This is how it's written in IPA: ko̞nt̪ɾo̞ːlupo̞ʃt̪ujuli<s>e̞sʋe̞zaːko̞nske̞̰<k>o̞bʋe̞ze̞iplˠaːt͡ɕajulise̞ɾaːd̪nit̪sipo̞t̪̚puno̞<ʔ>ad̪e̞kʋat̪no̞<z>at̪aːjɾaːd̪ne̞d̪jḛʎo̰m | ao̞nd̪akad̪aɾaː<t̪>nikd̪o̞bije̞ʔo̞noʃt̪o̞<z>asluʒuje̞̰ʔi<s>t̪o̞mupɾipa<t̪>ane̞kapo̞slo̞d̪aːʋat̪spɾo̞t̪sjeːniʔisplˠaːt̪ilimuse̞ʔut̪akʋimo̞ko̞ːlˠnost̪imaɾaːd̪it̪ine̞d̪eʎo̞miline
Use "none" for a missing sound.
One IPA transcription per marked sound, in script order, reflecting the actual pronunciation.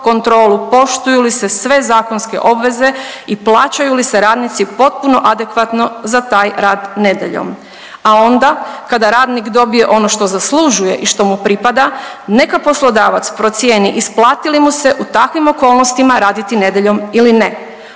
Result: s, ʔ, ʔ, z, d̪, z, ʃ, d̪

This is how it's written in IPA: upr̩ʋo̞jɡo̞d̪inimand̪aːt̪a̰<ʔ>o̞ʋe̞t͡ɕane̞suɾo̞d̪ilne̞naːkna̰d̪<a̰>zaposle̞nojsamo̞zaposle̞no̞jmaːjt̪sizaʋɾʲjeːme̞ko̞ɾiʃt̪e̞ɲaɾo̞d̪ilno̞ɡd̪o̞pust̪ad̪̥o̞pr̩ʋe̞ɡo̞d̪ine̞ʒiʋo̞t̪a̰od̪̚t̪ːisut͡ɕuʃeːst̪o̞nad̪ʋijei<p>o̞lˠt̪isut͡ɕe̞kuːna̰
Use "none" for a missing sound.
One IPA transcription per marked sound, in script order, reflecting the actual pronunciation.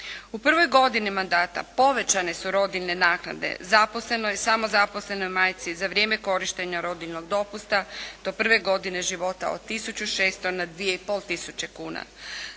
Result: p, ḛ, p

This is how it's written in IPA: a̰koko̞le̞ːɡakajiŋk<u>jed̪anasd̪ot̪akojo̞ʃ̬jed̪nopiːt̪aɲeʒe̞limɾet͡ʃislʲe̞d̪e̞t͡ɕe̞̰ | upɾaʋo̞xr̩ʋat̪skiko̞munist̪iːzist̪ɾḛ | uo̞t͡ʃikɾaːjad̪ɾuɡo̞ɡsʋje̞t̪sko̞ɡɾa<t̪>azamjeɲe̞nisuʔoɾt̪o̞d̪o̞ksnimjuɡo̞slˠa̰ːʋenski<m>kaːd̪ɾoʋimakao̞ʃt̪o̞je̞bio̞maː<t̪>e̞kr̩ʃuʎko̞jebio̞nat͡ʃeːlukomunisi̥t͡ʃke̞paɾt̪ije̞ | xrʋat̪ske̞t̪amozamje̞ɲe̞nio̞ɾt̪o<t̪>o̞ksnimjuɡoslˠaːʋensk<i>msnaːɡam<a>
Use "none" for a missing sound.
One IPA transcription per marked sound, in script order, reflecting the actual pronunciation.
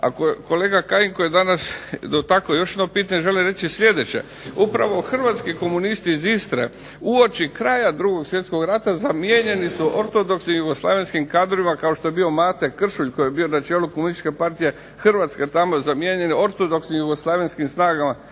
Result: o, t̪, m, t̪, d̪, i, a

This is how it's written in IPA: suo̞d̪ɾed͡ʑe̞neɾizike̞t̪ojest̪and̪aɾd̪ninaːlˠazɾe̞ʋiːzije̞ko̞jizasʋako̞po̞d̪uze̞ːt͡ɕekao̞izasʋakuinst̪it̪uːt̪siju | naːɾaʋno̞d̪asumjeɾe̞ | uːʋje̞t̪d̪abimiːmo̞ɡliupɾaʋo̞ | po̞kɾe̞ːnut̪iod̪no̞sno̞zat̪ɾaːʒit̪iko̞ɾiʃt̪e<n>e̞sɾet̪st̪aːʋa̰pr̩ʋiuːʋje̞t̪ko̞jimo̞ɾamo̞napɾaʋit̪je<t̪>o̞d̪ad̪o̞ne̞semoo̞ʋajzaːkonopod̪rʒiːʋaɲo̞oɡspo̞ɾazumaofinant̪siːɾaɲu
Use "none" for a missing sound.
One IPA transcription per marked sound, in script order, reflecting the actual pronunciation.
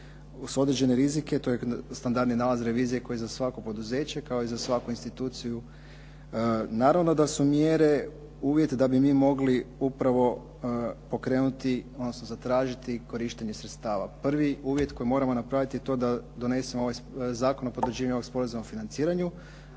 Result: ɲ, t̪

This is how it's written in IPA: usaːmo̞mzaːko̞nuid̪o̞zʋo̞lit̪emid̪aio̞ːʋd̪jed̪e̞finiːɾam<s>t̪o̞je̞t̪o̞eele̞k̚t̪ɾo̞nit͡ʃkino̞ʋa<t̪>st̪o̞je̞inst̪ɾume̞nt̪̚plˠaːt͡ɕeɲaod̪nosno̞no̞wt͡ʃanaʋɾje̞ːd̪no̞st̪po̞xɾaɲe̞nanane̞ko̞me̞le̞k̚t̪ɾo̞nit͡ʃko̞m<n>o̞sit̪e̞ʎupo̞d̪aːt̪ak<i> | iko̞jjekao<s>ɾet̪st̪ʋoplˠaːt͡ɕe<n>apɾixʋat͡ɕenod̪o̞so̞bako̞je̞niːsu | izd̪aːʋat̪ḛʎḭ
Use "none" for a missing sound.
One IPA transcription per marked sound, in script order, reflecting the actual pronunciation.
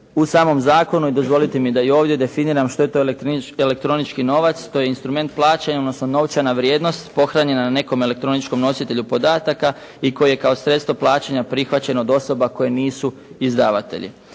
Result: ʃ, t̪, n, a, s, ɲ

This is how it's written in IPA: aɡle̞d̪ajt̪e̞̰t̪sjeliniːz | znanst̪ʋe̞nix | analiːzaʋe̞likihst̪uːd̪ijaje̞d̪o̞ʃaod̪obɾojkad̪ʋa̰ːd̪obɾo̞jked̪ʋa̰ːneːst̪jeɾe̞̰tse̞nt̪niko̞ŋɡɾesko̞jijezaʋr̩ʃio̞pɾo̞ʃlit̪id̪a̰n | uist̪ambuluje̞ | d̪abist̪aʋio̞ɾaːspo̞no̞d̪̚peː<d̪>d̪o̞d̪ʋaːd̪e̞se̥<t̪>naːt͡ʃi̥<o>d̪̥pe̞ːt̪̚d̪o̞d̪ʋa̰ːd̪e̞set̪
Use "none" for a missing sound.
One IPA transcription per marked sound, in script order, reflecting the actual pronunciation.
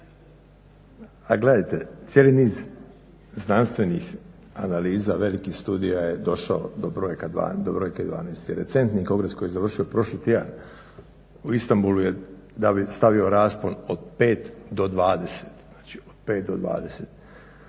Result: t̪, t̪, o

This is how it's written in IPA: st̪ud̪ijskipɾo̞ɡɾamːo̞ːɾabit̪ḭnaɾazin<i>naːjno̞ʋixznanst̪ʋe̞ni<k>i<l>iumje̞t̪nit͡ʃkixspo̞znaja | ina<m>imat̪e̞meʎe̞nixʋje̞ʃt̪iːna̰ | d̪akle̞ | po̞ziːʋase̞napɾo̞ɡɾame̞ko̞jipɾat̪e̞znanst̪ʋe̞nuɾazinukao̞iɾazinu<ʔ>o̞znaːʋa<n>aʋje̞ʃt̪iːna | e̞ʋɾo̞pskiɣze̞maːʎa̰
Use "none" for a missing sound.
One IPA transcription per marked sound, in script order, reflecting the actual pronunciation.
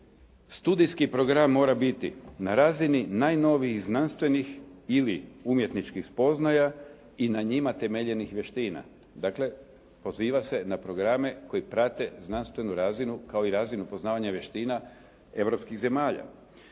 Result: i, x, l, ɲ, p, ɲ

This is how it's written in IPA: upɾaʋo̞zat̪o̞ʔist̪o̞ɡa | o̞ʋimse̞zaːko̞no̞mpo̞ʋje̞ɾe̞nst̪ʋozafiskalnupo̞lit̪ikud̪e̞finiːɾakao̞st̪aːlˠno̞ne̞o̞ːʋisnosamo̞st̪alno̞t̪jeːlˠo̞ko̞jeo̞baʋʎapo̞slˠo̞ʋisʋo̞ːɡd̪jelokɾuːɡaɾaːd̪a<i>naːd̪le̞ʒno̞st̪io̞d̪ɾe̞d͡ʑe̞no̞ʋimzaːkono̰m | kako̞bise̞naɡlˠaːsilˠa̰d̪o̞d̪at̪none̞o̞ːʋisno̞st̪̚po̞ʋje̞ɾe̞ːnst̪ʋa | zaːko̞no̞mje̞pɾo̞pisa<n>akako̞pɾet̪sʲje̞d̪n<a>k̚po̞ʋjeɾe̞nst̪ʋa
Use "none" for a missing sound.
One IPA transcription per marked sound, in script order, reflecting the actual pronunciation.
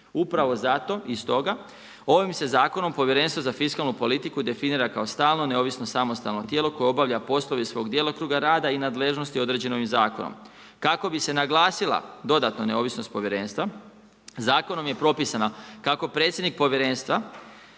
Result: i, n, i

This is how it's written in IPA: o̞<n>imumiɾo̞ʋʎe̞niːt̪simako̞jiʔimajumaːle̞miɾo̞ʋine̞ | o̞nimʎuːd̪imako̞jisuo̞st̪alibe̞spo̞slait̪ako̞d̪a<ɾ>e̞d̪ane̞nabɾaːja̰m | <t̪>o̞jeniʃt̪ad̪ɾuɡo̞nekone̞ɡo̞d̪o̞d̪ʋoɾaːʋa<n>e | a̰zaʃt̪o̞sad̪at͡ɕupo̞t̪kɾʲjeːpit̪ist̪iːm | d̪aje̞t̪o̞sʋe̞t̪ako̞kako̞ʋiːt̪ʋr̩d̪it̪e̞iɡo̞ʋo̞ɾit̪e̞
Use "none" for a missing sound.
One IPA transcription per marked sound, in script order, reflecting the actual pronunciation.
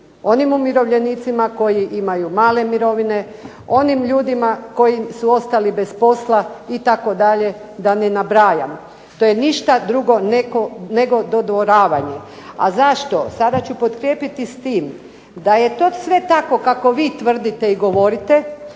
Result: n, ʎ, t̪, ɲ

